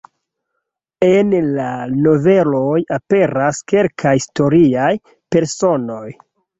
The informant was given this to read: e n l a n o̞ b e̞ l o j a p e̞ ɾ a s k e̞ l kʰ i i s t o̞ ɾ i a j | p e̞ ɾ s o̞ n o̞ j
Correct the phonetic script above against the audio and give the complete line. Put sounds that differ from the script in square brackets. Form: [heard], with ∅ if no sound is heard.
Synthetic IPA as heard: e n l a n o̞ [v] e̞ l o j a p e̞ ɾ a s k e̞ l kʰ [a] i s t o̞ ɾ i a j | p e̞ ɾ s o̞ n o̞ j